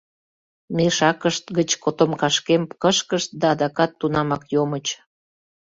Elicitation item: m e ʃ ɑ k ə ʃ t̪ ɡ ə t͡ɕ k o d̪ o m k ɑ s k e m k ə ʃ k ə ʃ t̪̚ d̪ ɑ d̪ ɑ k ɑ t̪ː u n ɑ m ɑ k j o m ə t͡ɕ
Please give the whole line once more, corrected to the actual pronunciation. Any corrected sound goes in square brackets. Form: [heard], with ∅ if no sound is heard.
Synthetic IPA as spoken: m e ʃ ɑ k ə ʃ t̪ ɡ ə t͡ɕ k o [t̪] o m k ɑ [ʃ] k e m k ə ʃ k ə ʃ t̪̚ d̪ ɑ d̪ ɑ k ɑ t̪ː u n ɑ m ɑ k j o m ə t͡ɕ